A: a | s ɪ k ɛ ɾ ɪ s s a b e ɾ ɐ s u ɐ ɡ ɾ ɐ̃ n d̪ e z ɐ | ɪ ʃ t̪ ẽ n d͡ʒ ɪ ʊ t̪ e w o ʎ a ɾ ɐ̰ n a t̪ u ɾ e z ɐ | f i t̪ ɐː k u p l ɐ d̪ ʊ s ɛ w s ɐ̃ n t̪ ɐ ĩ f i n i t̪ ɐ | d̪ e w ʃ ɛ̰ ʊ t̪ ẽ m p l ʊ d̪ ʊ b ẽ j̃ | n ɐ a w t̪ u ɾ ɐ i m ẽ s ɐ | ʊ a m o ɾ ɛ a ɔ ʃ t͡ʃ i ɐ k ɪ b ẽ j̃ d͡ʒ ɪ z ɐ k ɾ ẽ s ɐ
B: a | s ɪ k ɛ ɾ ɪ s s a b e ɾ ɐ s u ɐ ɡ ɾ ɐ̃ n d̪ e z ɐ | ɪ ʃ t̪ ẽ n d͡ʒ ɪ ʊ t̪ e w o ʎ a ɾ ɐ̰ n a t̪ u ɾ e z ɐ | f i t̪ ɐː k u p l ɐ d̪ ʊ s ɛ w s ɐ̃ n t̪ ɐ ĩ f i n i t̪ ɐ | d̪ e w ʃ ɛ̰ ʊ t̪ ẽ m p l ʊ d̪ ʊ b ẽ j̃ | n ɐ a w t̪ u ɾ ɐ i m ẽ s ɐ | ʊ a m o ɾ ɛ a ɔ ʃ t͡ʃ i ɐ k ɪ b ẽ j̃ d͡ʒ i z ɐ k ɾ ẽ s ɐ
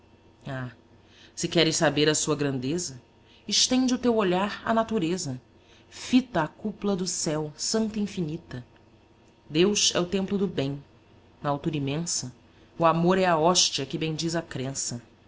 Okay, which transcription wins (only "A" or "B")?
B